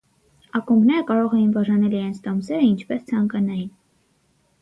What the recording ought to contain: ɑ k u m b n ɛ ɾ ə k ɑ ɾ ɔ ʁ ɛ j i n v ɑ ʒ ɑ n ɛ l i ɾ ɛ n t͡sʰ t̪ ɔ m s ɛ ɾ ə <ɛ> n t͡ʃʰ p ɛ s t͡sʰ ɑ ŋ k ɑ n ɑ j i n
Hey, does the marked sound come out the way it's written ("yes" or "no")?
no